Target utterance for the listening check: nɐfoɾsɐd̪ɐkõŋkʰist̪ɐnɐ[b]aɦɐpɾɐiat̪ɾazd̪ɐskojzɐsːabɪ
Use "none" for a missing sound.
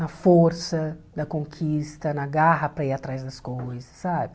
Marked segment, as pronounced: ɡ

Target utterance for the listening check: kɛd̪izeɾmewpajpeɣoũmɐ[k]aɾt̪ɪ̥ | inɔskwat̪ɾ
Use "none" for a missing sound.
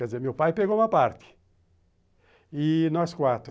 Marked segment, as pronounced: p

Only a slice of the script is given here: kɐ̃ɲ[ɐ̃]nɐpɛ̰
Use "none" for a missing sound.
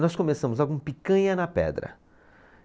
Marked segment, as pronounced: ɐ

